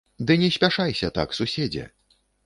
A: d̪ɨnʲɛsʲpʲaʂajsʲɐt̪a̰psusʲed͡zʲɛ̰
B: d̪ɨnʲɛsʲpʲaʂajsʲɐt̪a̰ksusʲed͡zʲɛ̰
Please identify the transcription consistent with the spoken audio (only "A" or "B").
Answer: B